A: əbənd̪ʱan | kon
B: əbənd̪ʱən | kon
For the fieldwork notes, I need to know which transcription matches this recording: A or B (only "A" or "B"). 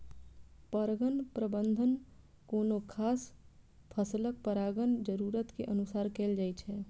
B